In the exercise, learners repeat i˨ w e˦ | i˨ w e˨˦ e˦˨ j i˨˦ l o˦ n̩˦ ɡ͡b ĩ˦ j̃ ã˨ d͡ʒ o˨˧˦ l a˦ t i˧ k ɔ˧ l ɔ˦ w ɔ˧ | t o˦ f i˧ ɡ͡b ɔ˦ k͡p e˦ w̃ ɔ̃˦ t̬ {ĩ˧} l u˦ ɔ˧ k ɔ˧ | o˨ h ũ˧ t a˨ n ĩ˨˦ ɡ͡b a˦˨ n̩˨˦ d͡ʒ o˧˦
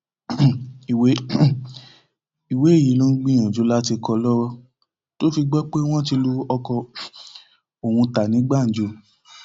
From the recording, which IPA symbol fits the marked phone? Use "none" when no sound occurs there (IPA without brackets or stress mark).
i˧